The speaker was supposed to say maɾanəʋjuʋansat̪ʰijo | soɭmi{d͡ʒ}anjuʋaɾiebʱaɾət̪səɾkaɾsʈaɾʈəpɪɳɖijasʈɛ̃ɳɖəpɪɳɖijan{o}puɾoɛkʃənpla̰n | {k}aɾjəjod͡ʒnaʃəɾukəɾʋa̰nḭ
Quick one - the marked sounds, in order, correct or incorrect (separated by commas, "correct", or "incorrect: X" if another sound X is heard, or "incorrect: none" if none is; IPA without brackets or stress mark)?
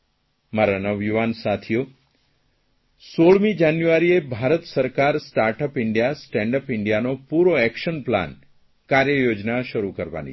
correct, correct, correct